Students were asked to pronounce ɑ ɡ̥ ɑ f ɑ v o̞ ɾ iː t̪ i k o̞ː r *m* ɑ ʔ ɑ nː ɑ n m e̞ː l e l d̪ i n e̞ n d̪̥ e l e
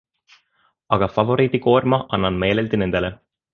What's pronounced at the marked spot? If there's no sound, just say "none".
m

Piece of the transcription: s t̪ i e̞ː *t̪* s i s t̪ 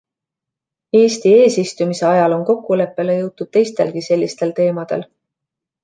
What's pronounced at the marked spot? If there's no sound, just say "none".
none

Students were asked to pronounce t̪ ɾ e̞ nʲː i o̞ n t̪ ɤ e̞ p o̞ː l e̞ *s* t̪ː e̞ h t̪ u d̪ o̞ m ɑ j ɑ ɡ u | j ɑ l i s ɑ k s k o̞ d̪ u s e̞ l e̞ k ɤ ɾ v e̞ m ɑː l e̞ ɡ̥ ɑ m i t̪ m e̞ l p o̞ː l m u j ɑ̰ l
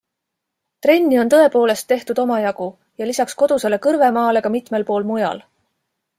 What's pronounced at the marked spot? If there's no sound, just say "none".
s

